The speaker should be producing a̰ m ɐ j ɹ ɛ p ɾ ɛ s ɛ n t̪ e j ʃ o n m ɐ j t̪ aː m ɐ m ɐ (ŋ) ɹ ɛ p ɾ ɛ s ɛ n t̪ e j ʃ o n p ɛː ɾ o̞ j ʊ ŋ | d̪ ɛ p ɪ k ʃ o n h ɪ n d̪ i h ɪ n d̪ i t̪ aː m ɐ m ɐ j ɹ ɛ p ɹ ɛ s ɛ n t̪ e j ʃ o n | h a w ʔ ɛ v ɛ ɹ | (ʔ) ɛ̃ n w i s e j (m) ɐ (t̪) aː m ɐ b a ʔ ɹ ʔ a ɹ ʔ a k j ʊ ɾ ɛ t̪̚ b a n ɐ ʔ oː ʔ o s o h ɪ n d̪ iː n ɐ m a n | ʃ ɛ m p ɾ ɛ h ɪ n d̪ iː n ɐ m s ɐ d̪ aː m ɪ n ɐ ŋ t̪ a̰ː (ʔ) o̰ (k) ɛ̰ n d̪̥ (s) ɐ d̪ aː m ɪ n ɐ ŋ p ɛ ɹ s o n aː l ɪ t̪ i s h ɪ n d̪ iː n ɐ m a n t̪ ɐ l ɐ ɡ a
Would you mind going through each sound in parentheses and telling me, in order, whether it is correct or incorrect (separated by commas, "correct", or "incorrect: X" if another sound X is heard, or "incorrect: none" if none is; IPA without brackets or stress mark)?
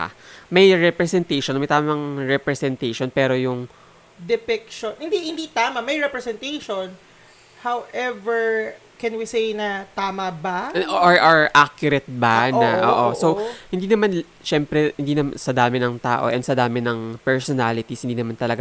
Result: correct, incorrect: k, incorrect: n, correct, correct, incorrect: ʔ, correct